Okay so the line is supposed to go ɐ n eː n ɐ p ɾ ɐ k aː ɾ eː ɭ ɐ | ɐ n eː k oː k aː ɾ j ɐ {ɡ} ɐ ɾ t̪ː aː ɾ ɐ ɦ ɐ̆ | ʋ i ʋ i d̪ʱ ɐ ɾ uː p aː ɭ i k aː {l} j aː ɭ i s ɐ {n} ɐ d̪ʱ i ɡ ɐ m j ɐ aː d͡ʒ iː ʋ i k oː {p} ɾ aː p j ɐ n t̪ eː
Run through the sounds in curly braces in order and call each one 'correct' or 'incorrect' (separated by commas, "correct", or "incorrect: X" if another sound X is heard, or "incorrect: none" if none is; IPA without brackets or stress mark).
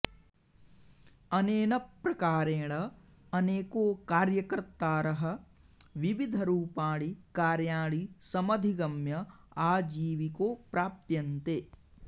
incorrect: k, incorrect: ɾ, incorrect: m, correct